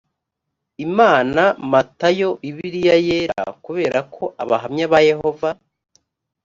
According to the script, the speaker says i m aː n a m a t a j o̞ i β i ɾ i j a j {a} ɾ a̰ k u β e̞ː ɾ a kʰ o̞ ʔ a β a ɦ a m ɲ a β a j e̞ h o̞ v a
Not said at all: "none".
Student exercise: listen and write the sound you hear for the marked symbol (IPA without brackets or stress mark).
e